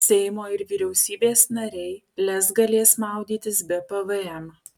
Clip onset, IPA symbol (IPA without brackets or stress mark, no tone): sʲ